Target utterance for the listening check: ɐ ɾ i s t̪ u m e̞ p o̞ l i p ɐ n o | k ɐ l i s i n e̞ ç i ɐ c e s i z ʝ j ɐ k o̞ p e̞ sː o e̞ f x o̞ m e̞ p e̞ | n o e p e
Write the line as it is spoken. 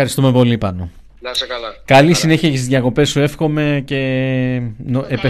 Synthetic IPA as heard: ɐ ɾ i s t̪ u m e̞ p o̞ l i p ɐ n o | k ɐ l i s i n e̞ ç i ɐ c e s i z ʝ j ɐ k o̞ p e̞ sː u e̞ f x o̞ m e̞ c e̞ | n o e p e